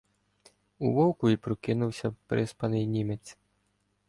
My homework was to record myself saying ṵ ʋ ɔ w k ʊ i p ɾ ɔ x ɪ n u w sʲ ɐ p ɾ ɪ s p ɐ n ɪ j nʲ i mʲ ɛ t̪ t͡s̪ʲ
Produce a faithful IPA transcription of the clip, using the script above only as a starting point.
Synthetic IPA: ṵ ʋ ɔ w k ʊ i p ɾ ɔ k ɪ n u w sʲ ɐ p ɾ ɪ s p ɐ n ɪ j nʲ i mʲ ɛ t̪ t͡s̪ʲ

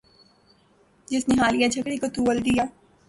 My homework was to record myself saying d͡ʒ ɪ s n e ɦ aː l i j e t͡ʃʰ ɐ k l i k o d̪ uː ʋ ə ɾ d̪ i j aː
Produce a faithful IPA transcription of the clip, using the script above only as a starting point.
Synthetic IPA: d͡ʒ ɪ s n e ɦ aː l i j a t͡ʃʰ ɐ k ɽ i k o t̪ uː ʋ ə l d̪ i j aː

